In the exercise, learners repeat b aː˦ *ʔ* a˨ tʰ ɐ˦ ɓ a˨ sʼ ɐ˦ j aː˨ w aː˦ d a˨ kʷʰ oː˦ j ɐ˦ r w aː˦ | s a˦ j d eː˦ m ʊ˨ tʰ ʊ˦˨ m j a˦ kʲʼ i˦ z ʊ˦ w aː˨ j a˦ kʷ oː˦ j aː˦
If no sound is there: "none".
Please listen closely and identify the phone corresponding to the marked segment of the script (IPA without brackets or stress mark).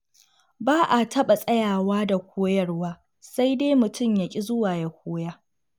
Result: ʔ